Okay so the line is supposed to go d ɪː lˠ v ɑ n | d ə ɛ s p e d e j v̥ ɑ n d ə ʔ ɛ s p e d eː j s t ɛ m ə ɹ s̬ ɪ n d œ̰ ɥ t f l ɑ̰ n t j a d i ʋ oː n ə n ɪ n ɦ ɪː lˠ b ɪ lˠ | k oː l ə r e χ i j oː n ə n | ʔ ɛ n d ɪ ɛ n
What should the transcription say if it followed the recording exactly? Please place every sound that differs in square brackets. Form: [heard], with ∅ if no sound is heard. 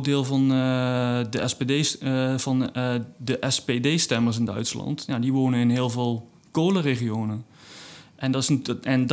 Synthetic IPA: d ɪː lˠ v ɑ n | d ə ɛ s p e d e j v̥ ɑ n d ə ʔ ɛ s p e d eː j s t ɛ m ə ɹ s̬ ɪ n d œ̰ ɥ t [s] l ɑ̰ n t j a d i ʋ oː n ə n ɪ n ɦ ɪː lˠ [v] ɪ lˠ | k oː l ə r e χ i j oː n ə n | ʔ ɛ n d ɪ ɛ n